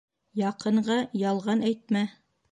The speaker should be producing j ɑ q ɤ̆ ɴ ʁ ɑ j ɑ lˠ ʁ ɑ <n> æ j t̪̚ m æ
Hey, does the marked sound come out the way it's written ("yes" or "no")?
yes